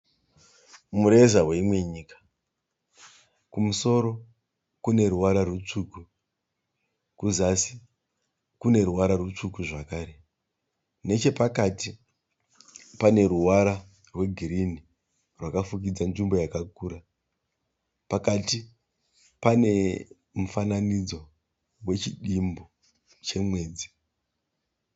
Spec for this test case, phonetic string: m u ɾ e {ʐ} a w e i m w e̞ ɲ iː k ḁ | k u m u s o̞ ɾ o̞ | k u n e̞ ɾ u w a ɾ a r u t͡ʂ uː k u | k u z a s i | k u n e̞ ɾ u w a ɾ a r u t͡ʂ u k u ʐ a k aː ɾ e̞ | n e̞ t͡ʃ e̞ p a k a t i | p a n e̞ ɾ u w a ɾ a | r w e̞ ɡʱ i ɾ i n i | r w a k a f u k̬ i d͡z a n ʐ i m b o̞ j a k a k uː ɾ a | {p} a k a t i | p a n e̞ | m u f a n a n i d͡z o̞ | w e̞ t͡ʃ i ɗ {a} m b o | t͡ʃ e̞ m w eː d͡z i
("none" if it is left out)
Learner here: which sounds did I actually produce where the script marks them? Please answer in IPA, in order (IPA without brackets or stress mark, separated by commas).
z, p, i